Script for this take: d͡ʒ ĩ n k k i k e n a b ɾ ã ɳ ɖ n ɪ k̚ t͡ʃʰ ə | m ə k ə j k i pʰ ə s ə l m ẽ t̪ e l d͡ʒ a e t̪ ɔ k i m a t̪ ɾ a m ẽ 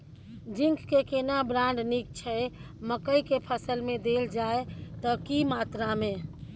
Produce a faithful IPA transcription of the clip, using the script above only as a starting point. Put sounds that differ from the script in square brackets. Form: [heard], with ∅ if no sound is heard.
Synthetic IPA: d͡ʒ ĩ [ŋ] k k [e] k e n a b ɾ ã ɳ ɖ n [i] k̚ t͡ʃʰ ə | m ə k ə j k [e] pʰ ə s ə l m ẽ [d̪] e l d͡ʒ a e t̪ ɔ k i m a t̪ ɾ a m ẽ